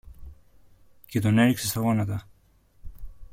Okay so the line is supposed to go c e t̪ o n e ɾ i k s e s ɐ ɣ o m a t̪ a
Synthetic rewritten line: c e t̪ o n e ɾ i k s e s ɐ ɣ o n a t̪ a